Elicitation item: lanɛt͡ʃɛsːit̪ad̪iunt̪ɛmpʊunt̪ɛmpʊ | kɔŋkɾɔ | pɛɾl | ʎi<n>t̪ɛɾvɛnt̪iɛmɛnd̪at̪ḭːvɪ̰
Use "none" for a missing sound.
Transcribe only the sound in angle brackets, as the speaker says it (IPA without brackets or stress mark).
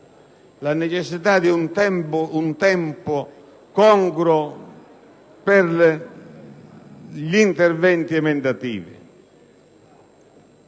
n